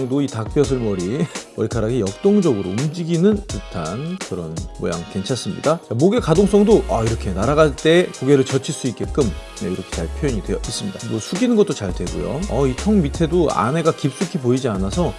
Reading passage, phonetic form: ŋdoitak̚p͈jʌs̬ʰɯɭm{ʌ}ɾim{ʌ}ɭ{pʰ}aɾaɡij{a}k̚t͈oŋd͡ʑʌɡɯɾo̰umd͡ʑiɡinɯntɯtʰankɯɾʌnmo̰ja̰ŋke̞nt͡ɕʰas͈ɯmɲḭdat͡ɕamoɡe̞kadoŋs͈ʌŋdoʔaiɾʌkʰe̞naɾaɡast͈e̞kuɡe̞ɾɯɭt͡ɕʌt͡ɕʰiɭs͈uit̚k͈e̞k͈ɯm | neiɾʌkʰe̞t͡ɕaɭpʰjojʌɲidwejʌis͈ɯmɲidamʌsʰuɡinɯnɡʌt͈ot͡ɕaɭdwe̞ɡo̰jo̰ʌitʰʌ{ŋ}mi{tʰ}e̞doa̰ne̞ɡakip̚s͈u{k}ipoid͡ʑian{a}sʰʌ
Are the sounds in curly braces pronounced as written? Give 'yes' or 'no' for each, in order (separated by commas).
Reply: yes, yes, no, no, yes, yes, no, yes